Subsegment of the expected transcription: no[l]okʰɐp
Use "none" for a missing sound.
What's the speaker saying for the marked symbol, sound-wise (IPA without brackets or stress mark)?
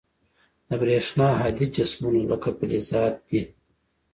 l